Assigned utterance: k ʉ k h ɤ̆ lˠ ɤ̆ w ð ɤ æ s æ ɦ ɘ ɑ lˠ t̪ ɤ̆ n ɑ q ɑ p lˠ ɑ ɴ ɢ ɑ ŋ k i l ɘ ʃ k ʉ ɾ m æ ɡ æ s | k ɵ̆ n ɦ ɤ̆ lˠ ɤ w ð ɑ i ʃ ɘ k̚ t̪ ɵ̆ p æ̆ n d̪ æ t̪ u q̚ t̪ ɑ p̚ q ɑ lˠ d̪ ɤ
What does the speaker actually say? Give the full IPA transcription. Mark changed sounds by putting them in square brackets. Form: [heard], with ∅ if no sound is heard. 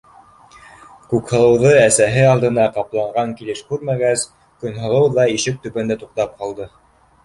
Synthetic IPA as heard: k ʉ k h ɤ̆ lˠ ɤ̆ w ð ɤ æ s æ ɦ ɘ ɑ lˠ [d̪] ɤ̆ n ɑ q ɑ p lˠ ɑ ɴ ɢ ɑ ŋ k i l ɘ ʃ k ʉ ɾ m æ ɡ æ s | k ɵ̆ n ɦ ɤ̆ lˠ ɤ w ð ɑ i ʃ ɘ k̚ t̪ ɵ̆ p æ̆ n d̪ æ t̪ u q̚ t̪ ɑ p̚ q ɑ lˠ d̪ ɤ